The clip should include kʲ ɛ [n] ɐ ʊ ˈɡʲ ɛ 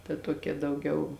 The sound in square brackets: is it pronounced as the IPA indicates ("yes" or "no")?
no